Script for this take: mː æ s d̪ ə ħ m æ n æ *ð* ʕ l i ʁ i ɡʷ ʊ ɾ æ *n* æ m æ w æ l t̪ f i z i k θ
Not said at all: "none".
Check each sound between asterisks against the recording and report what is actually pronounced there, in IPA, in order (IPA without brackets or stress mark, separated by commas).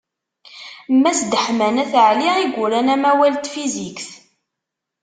θ, n